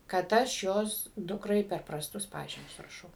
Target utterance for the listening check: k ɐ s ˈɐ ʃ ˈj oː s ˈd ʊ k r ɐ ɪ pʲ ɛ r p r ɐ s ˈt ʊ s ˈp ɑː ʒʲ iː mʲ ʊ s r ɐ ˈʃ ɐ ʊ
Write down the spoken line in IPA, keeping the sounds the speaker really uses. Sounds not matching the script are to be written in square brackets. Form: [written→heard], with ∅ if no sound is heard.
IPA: k ɐ [s→t] ˈɐ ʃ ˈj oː s ˈd ʊ k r ɐ ɪ pʲ ɛ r p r ɐ s ˈt ʊ s ˈp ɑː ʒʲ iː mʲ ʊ s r ɐ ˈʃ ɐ ʊ